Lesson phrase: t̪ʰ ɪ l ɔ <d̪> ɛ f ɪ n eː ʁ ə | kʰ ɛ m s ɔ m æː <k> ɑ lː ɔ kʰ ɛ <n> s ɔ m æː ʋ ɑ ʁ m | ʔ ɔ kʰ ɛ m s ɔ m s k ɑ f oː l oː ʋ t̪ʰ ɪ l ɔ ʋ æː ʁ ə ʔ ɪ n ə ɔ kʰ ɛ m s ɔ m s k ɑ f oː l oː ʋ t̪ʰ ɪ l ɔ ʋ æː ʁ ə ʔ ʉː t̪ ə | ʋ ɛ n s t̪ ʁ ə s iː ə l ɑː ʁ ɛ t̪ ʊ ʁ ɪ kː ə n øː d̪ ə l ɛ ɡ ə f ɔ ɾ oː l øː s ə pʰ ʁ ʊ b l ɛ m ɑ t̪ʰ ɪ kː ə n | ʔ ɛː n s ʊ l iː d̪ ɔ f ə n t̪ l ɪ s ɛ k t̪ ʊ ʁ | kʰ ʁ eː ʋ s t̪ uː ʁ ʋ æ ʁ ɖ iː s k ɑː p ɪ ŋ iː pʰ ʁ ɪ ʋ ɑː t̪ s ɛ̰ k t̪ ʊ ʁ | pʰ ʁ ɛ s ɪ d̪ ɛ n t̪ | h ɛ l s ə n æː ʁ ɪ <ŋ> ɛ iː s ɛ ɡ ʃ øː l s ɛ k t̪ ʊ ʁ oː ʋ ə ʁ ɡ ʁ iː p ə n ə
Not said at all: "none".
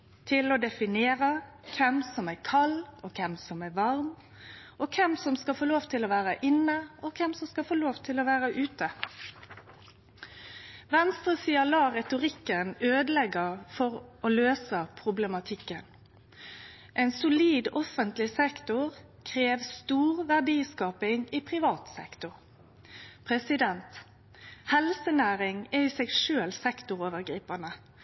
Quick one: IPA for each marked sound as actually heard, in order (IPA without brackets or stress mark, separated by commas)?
d̪, kʰ, m, ŋ